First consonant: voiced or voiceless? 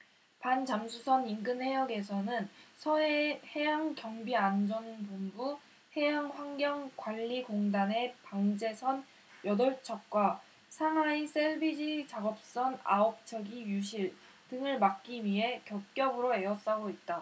voiceless